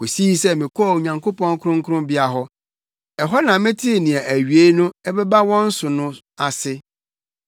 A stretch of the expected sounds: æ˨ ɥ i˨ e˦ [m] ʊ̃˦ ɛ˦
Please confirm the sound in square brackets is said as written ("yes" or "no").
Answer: no